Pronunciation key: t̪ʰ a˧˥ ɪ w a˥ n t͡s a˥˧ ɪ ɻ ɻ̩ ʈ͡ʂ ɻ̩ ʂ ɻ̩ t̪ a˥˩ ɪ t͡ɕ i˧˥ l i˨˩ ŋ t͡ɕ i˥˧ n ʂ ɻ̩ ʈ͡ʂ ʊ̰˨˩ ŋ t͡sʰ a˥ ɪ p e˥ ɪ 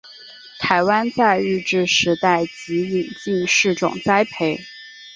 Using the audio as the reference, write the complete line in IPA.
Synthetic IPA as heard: t̪ʰ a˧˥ ɪ w a˥ n t͡s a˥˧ ɪ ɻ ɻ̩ ʈ͡ʂ ɻ̩ ʂ ɻ̩ t̪ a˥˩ ɪ t͡ɕ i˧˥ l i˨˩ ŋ t͡ɕ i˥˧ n ʂ ɻ̩ ʈ͡ʂ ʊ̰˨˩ ŋ t͡s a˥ ɪ pʰ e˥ ɪ